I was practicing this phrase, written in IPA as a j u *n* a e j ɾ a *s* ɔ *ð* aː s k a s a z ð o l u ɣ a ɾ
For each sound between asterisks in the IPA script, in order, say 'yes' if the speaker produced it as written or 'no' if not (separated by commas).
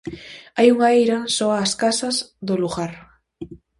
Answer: no, yes, no